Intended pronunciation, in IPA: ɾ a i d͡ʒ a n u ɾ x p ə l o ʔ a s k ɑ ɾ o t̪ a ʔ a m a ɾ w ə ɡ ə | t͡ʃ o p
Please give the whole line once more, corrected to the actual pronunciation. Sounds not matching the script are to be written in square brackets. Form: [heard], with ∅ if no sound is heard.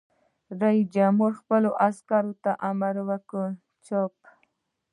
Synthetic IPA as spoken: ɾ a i d͡ʒ a [m] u ɾ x p ə l o ʔ a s k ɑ ɾ o t̪ a ʔ a m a ɾ w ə [k] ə | t͡ʃ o p